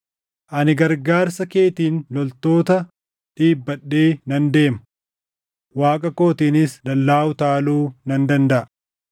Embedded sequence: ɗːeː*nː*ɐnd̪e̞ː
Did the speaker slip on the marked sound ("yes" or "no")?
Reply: yes